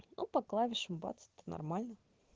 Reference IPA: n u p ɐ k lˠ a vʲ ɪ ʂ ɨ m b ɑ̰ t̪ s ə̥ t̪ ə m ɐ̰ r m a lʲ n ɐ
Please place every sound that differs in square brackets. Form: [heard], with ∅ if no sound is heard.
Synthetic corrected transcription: n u p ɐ k lˠ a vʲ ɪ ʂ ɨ m b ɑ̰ t̪ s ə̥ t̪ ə [n] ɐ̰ r m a lʲ n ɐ